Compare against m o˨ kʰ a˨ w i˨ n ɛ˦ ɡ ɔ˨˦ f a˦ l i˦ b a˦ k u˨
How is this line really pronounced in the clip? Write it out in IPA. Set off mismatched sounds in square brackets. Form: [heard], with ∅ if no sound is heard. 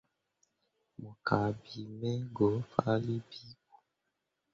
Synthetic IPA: m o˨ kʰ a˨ [b] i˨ [m] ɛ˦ ɡ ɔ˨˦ f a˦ l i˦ b [i˦] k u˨

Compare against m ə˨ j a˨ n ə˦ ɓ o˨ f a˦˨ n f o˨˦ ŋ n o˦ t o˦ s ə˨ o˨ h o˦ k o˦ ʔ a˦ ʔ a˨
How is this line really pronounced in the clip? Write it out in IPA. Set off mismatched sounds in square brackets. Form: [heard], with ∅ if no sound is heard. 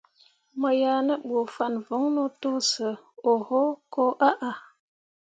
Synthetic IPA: m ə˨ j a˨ n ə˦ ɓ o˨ f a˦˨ n [v] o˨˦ ŋ n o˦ t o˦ s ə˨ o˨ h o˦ k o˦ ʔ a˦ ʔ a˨

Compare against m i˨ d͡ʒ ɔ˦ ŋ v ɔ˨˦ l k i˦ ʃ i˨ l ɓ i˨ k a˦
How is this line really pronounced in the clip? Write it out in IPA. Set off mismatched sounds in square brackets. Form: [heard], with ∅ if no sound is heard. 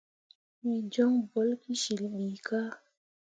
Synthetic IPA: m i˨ d͡ʒ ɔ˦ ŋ [b] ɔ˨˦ l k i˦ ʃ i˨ l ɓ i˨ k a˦

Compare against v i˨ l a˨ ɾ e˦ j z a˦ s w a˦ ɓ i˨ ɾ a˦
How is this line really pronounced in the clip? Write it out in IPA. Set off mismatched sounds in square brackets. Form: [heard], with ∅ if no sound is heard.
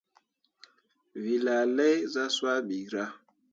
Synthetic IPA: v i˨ l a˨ [l] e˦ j z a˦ s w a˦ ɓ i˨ ɾ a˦

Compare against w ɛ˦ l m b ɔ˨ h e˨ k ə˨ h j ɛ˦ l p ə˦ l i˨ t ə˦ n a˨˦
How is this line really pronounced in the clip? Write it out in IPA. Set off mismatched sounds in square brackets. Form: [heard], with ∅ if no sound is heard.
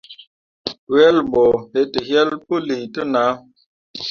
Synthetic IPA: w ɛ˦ l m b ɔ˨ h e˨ [t] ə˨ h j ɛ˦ l p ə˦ l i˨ t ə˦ n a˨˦

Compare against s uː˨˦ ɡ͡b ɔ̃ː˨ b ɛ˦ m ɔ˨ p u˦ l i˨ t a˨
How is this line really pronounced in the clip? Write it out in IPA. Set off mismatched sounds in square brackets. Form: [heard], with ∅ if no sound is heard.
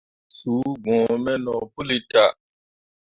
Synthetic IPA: s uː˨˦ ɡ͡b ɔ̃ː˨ [m] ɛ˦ [n] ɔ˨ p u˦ l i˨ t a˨

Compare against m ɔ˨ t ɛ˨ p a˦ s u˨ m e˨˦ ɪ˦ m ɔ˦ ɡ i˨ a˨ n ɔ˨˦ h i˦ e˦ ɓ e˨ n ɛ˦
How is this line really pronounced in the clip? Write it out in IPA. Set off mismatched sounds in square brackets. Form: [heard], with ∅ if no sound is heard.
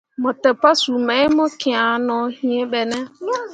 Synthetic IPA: m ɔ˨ t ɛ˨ p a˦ s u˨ m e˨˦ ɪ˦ m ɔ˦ [k] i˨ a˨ n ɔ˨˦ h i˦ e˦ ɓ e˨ n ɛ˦

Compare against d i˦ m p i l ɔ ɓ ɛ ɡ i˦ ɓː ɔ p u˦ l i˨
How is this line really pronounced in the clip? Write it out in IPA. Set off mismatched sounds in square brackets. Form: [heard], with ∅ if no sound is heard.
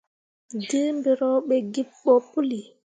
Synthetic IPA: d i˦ m [b] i [ɾ] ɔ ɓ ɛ ɡ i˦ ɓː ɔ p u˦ l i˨

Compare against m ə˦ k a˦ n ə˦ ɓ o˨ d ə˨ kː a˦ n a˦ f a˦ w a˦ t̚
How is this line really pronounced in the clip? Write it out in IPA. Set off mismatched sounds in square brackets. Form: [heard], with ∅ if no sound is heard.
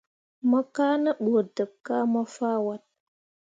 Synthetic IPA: m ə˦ k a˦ n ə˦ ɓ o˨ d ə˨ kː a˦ [m] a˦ f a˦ w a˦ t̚

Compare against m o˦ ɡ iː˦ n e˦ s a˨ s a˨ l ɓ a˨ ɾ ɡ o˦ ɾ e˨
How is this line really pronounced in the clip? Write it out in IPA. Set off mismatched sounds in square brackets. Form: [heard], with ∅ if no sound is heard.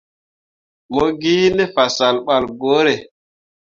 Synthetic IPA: m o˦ ɡ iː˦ n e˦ [f] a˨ s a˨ l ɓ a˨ [l] ɡ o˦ ɾ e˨

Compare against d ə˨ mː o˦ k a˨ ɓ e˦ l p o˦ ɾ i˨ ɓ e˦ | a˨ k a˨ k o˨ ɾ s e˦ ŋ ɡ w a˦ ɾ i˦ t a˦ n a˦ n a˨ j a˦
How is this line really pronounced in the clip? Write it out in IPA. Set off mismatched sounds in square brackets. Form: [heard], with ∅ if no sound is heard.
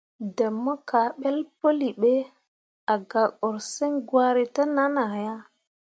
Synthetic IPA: d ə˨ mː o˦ k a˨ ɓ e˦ l p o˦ [l] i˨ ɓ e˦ | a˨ [ɡ] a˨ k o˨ ɾ s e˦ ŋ ɡ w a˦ ɾ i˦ t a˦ n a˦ n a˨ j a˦

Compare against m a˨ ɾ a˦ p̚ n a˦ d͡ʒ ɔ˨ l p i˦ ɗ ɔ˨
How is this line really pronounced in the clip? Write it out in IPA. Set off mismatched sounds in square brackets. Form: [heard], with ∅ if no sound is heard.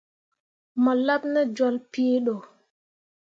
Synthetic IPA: m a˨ [l] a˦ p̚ n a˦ d͡ʒ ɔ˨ l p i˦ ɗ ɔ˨

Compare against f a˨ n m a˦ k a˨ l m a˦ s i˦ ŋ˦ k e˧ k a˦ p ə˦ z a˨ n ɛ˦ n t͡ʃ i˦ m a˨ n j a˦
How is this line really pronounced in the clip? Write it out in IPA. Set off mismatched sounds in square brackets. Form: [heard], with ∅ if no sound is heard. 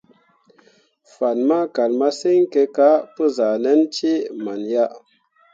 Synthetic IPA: f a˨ n m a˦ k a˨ l m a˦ s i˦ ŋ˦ k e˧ k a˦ p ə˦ z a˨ n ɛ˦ n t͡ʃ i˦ m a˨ n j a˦

